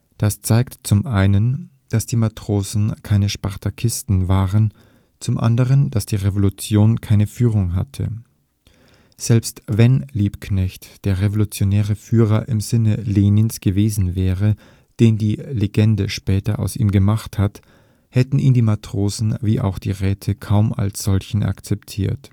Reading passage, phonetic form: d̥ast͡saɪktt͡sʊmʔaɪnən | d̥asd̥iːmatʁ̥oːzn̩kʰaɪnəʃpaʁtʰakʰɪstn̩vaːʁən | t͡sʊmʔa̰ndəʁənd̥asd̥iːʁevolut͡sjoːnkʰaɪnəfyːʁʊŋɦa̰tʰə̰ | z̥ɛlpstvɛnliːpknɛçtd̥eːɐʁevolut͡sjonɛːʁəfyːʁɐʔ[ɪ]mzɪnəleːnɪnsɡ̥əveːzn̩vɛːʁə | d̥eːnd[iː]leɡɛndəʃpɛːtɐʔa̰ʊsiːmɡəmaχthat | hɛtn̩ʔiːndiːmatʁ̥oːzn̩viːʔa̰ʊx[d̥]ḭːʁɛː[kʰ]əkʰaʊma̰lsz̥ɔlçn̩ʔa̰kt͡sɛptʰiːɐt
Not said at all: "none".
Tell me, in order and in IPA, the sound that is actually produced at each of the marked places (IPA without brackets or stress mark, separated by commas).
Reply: ɪ, iː, d̥, tʰ